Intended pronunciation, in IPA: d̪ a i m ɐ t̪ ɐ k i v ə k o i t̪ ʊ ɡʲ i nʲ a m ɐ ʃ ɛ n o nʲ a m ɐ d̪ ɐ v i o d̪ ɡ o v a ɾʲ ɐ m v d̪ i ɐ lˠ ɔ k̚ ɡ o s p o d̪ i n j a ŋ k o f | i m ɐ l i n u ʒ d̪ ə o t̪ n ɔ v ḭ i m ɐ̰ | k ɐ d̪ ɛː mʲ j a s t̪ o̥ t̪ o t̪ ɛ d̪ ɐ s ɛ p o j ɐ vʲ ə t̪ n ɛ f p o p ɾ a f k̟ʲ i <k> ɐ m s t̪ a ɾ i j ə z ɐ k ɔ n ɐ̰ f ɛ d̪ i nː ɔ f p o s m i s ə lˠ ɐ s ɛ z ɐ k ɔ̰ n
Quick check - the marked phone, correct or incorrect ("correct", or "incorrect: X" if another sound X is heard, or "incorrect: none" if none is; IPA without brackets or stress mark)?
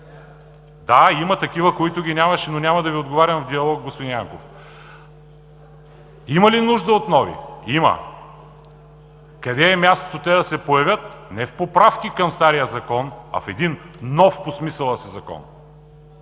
correct